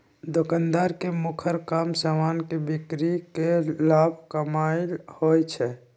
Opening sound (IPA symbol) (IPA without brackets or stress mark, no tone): d̪